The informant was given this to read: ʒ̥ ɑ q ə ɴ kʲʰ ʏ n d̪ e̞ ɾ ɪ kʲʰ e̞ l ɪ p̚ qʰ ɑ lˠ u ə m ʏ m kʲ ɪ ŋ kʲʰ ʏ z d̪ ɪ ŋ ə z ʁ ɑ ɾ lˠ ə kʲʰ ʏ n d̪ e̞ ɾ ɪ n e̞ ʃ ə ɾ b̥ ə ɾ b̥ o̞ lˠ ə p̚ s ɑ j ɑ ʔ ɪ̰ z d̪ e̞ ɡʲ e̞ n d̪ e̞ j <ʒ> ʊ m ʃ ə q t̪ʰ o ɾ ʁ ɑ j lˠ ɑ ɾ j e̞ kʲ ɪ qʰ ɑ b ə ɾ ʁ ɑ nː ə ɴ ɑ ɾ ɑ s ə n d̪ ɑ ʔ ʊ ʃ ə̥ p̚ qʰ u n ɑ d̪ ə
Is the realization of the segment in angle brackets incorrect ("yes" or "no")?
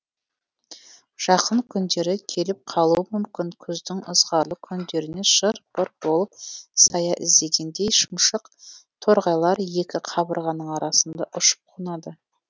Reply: yes